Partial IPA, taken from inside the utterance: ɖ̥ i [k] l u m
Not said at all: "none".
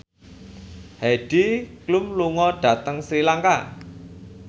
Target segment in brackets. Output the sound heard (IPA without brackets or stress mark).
k